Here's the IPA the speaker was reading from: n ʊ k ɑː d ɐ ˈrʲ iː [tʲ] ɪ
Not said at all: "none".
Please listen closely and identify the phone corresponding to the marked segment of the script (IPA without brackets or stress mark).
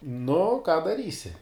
sʲ